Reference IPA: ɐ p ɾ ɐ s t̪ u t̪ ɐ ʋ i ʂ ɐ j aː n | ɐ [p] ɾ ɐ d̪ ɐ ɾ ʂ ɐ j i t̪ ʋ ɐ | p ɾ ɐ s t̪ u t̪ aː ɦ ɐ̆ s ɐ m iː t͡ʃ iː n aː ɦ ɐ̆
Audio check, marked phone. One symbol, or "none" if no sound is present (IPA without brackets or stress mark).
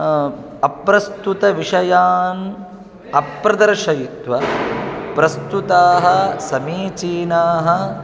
p